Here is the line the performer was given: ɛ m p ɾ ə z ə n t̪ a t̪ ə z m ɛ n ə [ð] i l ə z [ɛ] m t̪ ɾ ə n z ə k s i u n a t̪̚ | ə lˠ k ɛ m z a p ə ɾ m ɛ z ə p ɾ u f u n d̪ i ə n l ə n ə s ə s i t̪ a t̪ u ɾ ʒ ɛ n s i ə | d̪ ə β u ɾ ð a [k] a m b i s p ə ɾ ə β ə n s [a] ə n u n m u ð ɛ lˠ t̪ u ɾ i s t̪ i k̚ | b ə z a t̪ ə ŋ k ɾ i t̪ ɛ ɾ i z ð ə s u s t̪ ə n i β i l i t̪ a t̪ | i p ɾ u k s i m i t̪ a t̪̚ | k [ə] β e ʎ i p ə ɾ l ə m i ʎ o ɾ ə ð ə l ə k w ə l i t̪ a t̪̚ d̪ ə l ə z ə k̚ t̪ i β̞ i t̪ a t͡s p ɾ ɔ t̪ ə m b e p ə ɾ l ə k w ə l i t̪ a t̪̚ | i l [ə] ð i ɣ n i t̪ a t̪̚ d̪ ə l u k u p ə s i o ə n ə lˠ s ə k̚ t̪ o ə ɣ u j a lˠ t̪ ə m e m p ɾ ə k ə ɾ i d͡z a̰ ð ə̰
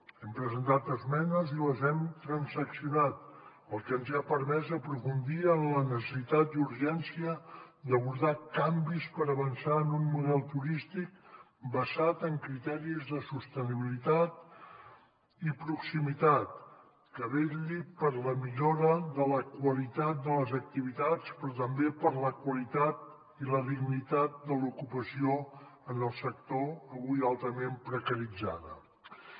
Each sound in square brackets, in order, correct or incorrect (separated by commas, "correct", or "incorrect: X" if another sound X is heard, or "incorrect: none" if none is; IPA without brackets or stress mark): incorrect: z, correct, correct, correct, correct, correct